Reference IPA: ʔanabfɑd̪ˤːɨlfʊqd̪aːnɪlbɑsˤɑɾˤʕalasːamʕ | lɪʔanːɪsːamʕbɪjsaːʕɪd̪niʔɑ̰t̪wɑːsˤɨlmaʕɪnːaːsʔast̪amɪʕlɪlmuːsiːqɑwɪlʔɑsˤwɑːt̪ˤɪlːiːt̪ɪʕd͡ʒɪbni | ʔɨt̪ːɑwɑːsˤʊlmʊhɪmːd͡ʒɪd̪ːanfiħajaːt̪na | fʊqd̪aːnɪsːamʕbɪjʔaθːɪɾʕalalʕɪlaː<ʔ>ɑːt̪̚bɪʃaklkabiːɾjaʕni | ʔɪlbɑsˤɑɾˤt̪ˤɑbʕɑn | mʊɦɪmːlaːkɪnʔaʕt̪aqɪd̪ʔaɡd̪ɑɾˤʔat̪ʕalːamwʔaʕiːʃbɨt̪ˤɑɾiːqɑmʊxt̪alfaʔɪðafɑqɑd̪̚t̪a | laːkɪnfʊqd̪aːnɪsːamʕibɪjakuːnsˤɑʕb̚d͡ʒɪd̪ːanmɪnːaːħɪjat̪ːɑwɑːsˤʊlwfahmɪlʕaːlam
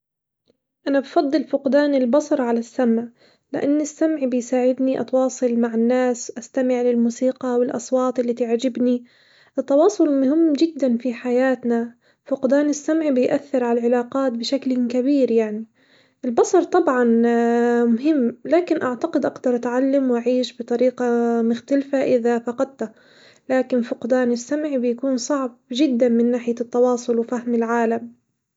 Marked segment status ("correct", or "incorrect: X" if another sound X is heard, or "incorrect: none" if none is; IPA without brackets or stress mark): incorrect: q